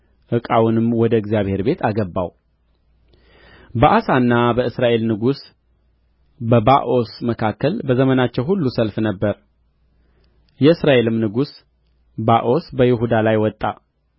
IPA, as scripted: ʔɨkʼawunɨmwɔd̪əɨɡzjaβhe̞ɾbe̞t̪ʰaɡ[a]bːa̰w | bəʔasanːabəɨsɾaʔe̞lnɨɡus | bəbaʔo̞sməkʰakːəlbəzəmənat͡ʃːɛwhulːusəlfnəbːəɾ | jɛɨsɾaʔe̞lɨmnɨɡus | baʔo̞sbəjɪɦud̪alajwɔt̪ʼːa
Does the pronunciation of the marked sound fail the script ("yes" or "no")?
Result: yes